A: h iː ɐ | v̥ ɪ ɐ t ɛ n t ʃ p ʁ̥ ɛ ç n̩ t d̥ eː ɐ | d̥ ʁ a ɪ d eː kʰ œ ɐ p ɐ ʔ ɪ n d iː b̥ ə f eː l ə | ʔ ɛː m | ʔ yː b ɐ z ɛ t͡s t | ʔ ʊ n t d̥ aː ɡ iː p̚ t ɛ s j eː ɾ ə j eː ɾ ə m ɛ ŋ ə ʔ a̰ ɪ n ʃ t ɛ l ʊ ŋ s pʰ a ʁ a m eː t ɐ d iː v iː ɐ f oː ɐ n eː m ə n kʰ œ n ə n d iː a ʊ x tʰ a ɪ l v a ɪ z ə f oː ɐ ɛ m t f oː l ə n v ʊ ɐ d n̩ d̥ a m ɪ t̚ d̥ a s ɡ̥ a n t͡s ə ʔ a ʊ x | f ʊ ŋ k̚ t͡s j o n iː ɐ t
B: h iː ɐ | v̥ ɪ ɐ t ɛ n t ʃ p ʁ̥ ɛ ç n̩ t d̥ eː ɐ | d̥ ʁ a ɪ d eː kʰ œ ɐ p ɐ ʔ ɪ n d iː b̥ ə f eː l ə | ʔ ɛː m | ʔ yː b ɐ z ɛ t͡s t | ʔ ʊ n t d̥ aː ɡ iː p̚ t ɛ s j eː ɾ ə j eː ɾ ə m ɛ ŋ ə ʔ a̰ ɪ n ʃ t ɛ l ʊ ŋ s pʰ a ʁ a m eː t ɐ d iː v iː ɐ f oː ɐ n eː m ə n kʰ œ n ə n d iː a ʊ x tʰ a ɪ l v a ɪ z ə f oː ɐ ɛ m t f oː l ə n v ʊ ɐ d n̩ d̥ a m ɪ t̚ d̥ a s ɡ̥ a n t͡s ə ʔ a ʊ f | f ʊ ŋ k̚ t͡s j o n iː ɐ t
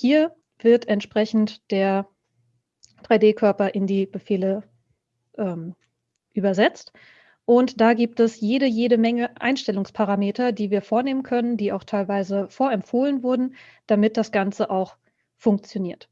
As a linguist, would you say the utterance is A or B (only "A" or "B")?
A